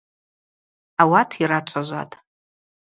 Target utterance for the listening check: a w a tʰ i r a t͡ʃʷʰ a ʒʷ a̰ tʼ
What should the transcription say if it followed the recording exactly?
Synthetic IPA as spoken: a w a tʰ i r a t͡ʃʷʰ a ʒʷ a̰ tʼ